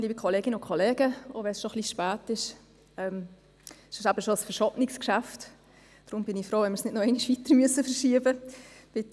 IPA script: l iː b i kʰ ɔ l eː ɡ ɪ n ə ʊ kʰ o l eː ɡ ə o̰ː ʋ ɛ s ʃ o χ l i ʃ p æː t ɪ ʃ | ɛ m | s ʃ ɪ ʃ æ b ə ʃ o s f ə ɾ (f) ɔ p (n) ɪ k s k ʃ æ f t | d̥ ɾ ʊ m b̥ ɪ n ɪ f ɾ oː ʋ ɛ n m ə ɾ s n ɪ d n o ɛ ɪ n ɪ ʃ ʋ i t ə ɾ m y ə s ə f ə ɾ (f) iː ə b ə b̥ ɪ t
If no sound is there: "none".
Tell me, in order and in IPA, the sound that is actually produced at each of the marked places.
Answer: ʃ, n, ʃ

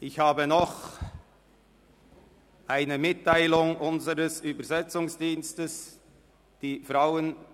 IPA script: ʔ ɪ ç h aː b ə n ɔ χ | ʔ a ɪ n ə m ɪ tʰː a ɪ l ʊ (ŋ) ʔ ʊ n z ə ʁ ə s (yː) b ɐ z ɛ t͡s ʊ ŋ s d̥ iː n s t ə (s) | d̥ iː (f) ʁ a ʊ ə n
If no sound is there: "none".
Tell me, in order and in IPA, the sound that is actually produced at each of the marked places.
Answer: ŋ, yː, s, f

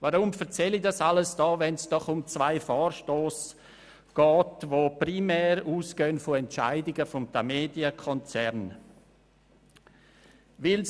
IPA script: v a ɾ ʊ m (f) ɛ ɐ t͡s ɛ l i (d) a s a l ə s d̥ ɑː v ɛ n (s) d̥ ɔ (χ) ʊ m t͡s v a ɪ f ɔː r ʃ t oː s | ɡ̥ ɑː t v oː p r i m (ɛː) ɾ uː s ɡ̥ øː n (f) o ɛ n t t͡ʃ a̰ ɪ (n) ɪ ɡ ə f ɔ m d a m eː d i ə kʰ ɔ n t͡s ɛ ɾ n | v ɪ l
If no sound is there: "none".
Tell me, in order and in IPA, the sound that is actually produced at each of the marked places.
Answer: f, d, s, χ, ɛː, f, d

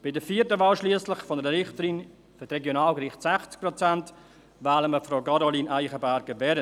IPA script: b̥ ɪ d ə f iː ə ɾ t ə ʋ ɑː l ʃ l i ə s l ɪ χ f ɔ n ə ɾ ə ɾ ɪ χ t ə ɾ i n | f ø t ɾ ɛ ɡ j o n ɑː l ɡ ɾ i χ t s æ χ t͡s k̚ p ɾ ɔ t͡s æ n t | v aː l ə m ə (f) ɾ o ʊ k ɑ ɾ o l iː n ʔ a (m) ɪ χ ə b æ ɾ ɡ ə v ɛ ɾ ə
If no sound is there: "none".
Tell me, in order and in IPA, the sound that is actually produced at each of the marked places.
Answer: f, none

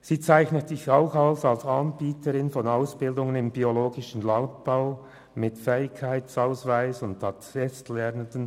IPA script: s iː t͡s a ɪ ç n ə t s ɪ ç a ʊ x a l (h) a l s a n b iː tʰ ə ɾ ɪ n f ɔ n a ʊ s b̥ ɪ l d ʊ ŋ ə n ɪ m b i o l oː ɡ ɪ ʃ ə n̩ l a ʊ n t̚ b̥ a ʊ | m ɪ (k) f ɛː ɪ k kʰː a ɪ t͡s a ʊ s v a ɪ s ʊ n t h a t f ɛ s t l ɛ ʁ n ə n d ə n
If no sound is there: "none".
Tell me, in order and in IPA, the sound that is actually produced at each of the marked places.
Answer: s, t

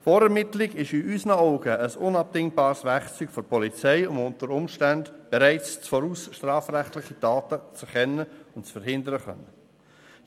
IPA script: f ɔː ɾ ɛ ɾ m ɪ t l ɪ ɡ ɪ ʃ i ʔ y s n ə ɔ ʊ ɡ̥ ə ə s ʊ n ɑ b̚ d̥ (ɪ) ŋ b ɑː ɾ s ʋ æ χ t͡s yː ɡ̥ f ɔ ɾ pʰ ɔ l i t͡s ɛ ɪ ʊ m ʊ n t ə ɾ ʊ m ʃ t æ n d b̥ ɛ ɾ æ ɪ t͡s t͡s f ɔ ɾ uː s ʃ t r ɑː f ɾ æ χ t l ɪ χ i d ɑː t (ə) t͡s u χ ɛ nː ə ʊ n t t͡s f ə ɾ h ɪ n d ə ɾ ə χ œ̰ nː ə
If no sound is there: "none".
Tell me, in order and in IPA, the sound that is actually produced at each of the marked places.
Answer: ɪ, ə

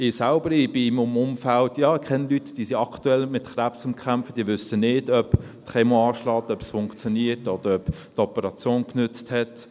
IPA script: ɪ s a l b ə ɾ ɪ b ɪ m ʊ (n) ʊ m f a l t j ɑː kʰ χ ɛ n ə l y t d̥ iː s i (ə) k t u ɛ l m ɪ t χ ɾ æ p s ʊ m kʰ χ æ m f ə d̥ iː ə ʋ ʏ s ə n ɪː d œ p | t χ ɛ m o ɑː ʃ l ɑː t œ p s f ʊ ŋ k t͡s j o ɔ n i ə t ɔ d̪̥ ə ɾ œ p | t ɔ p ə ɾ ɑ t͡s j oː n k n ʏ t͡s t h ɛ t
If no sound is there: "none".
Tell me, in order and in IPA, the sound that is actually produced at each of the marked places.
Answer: m, ɑ

